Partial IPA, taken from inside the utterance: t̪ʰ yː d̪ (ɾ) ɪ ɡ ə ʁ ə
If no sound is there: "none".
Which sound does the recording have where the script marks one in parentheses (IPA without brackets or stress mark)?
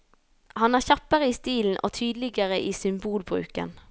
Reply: l